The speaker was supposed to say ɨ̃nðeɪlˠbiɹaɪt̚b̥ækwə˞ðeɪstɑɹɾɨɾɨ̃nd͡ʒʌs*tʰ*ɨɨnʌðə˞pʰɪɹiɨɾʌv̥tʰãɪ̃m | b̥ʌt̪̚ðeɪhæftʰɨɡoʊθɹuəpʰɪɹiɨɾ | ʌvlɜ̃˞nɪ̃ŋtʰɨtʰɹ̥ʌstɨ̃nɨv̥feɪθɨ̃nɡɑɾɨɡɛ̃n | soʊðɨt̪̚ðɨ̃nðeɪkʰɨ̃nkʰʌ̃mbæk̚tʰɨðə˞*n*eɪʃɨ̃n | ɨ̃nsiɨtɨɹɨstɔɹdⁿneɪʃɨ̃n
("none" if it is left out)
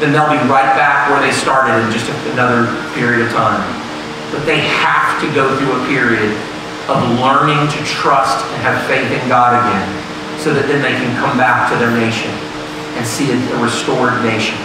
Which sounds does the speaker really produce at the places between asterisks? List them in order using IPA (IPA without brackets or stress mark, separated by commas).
t, n